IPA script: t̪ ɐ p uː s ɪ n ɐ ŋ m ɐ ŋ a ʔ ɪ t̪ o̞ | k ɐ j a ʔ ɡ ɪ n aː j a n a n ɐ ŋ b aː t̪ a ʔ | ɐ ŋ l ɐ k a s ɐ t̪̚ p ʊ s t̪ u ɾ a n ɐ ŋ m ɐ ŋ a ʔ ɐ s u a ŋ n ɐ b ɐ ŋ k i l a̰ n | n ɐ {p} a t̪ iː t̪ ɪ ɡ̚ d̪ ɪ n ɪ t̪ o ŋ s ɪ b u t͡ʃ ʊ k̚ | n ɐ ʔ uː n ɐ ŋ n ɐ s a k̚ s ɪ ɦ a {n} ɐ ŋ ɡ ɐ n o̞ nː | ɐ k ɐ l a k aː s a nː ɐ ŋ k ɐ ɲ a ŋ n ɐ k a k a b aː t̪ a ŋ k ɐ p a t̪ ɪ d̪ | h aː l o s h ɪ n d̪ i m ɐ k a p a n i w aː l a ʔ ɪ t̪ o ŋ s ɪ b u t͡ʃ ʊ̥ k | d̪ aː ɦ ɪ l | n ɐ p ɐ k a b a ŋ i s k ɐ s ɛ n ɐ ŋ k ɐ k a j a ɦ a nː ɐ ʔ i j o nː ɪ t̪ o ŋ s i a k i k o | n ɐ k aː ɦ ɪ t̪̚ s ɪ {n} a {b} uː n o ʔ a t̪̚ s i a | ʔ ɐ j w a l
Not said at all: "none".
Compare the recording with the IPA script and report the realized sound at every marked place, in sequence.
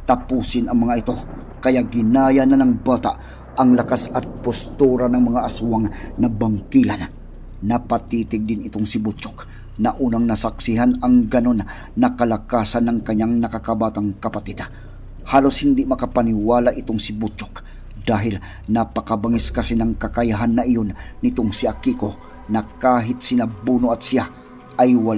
p, n, n, b

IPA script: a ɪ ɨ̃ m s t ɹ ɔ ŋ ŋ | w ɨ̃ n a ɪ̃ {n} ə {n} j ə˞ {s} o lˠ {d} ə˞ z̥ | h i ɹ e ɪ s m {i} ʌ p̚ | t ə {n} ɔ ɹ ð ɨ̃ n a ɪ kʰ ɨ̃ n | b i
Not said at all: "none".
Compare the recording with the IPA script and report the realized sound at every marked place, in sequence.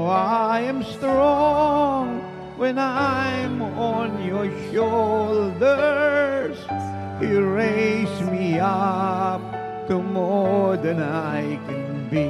m, n, ʃ, d, i, m

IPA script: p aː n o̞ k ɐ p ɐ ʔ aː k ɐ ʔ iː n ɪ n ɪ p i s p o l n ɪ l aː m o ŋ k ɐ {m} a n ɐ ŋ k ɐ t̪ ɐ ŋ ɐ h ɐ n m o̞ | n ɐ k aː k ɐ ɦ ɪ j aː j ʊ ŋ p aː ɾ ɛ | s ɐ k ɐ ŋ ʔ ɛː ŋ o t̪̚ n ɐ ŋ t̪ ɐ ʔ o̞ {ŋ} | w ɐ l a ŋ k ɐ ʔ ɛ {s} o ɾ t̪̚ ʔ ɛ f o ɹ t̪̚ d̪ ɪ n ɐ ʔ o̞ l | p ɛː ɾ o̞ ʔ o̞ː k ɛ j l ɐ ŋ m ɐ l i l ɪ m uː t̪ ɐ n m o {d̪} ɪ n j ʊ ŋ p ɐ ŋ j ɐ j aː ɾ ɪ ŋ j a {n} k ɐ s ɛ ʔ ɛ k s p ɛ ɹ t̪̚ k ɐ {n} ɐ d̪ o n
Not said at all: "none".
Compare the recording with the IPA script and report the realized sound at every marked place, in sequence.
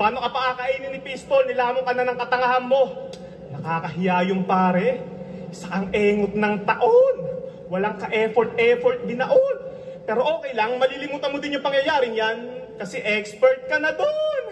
n, n, f, d̪, n, n

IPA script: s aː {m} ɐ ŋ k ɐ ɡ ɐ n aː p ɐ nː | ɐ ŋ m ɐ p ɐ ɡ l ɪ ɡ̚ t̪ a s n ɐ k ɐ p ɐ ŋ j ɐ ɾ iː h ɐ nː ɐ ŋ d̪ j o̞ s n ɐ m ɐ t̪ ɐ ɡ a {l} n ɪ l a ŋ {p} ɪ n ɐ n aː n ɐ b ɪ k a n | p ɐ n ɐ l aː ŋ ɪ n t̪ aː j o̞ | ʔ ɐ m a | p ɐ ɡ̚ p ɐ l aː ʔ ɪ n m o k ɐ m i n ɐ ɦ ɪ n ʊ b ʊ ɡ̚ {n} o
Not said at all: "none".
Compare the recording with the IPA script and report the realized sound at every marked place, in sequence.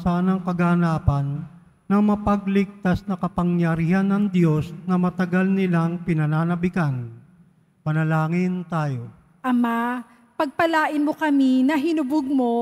n, l, p, m

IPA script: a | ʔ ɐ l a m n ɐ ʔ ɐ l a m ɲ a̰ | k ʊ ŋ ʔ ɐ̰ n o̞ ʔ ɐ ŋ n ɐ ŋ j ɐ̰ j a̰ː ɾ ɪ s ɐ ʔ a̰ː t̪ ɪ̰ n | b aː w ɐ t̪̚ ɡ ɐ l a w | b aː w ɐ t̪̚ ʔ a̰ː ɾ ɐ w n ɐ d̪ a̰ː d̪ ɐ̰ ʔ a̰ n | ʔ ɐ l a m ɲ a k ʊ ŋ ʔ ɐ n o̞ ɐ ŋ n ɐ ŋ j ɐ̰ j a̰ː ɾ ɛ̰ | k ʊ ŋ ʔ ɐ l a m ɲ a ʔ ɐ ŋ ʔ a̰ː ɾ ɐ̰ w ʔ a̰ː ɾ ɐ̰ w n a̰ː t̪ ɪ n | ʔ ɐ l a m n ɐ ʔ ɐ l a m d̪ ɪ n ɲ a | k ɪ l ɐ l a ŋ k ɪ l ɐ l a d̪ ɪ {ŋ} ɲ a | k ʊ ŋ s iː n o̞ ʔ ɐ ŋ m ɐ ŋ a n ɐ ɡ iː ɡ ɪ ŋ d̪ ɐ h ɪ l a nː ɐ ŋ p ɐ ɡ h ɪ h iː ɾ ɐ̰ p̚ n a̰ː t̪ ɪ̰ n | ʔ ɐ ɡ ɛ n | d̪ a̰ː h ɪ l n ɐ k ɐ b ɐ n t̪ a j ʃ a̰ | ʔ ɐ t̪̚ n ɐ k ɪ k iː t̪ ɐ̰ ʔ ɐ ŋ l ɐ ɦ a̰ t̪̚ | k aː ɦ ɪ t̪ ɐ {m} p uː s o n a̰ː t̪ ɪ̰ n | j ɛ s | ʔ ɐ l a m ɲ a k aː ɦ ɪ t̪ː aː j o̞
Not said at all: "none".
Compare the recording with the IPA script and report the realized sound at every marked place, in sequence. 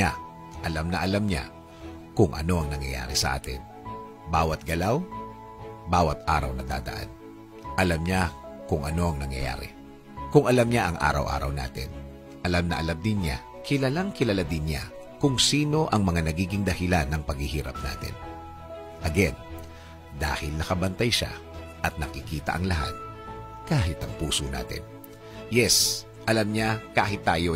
n, ŋ

